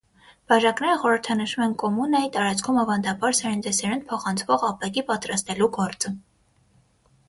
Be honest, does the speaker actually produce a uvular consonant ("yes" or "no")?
yes